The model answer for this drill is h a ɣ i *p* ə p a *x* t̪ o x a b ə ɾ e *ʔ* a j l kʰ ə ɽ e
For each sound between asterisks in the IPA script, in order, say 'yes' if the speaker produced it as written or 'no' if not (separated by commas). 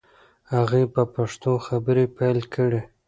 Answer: yes, no, no